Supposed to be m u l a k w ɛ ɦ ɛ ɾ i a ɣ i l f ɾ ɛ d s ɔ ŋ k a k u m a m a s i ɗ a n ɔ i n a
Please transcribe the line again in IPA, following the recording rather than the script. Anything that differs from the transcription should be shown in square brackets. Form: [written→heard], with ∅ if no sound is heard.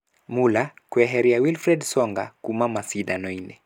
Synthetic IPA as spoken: m u l a k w ɛ ɦ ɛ ɾ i a [ɣ→w] i l f ɾ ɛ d s ɔ ŋ [k→ɡ] a k u m a m a s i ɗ a n ɔ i n [a→ɛ]